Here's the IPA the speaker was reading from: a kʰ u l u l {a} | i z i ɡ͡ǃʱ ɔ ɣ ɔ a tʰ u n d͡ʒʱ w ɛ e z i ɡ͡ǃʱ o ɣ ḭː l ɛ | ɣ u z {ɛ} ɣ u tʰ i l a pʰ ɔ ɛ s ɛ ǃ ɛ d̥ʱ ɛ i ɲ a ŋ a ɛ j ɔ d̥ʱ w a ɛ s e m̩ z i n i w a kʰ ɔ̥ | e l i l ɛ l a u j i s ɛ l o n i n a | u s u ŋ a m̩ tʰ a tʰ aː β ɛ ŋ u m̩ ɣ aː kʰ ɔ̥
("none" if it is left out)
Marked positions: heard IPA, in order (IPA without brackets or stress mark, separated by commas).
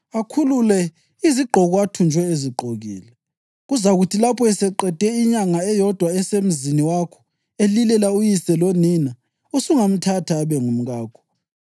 ɛ, a